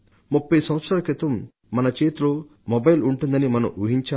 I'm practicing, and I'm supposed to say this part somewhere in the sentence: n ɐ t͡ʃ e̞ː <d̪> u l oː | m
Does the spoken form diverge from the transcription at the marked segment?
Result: yes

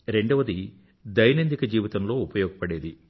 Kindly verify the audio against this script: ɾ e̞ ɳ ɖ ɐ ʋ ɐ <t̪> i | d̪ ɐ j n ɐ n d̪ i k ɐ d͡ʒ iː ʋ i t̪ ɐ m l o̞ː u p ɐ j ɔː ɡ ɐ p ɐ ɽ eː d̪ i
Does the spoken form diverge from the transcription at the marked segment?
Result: yes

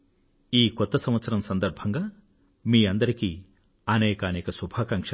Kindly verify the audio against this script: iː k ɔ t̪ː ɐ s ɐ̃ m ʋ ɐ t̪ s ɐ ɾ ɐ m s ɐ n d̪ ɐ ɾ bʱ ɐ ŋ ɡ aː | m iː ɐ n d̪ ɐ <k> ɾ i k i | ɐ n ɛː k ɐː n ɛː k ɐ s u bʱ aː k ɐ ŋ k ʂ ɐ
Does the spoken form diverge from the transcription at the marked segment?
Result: yes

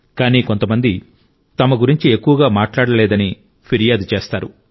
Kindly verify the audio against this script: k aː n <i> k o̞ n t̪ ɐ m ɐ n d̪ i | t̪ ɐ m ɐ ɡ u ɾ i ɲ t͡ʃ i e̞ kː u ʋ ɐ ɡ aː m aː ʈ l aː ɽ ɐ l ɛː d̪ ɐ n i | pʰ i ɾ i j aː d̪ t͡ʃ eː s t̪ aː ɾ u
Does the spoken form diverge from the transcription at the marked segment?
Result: yes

